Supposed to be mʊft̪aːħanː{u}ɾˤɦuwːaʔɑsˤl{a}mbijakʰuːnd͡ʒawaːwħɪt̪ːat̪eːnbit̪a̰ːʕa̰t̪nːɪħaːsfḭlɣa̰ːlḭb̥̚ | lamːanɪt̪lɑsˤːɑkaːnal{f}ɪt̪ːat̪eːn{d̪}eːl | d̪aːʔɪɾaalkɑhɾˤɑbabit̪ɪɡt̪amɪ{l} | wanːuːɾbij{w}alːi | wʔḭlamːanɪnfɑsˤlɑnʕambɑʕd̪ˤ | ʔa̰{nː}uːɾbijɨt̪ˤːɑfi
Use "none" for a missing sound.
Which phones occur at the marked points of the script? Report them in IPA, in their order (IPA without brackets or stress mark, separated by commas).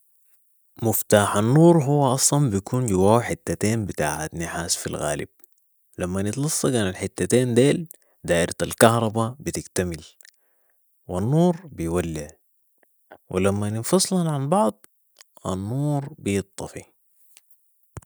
uː, ɑ, ħ, d̪, l, w, nː